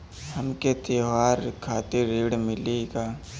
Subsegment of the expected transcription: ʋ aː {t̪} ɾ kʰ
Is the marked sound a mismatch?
yes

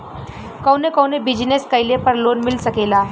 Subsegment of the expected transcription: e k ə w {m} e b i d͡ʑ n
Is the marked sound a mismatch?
yes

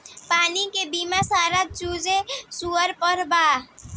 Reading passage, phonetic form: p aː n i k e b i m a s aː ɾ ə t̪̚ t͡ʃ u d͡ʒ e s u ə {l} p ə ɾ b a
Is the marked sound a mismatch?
yes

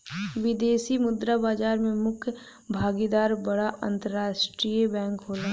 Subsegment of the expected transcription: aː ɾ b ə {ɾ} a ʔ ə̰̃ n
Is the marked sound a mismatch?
yes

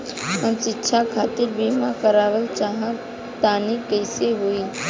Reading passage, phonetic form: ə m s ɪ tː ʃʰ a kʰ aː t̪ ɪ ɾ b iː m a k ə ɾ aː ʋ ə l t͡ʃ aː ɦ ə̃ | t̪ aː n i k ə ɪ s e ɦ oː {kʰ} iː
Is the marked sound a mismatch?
yes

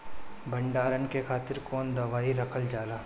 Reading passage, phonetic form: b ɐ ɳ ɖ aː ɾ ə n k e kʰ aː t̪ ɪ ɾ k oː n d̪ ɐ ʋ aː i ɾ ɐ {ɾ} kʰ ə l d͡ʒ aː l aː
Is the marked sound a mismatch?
yes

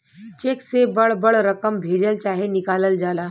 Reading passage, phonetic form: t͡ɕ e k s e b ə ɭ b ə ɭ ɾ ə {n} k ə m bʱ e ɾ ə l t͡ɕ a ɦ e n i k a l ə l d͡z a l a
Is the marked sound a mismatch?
yes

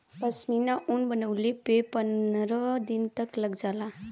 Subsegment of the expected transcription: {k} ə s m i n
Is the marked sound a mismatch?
yes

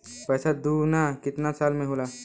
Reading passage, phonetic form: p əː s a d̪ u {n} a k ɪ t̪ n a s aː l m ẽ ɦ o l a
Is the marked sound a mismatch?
no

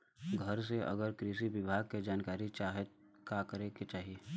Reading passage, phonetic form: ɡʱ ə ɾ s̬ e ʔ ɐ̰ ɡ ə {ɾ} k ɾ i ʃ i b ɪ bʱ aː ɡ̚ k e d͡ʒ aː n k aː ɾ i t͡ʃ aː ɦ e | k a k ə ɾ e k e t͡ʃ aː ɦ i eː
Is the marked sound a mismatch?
no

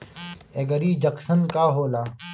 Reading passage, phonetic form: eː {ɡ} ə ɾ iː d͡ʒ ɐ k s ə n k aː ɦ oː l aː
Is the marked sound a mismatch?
no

